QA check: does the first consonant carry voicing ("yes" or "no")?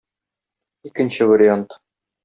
no